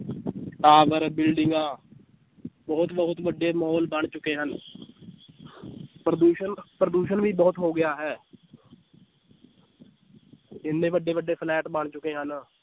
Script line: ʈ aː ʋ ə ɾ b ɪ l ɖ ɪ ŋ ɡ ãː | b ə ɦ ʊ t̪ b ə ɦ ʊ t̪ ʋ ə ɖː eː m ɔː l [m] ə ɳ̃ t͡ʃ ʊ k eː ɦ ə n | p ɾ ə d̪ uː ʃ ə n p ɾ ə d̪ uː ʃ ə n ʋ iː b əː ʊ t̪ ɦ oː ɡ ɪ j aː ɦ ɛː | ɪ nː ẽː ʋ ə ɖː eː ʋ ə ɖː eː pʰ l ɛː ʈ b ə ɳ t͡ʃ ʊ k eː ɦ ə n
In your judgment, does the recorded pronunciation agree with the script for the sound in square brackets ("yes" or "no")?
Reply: no